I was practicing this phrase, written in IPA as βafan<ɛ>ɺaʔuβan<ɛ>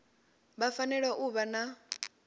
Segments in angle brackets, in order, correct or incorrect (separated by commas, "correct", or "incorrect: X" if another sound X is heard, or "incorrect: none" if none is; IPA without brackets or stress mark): correct, incorrect: a